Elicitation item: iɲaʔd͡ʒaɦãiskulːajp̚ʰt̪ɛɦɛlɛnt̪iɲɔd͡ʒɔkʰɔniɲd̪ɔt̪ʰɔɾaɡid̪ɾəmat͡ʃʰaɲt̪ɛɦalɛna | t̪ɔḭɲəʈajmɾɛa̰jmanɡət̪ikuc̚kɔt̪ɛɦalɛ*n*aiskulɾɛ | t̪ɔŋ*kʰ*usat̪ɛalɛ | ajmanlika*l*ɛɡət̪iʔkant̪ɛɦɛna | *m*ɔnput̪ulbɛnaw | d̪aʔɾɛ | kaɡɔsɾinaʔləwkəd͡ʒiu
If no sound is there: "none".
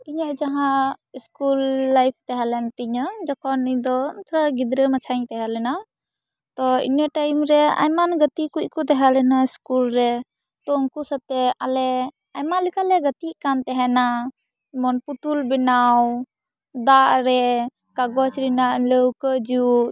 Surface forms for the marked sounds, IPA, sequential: n, k, l, m

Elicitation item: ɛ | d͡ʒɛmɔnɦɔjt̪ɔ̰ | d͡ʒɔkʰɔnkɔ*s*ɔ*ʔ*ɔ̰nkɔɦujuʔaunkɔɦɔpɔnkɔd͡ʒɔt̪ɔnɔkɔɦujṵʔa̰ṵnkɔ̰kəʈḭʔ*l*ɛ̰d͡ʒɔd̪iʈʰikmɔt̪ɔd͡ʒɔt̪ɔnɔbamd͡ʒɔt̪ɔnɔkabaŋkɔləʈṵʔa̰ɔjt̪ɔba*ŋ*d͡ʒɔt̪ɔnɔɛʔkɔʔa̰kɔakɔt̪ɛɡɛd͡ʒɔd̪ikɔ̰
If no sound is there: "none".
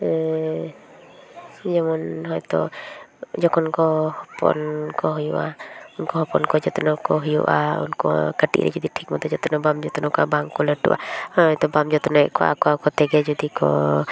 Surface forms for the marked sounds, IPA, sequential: h, p, ɾ, m

